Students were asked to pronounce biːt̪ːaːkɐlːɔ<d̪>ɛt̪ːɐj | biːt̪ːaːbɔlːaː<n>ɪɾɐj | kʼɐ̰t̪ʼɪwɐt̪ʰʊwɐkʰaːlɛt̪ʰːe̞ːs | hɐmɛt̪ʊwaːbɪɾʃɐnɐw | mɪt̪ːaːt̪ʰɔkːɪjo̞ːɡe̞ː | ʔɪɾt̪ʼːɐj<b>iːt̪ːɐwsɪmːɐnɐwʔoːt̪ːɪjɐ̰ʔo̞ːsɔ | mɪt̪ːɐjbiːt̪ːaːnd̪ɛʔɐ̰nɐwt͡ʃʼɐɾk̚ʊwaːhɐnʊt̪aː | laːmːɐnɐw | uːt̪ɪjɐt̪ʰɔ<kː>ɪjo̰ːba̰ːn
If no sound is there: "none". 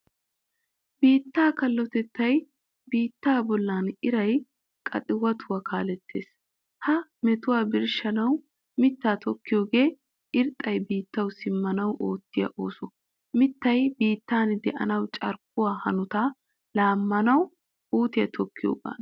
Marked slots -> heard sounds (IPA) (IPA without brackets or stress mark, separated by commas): t̪, n, b, kː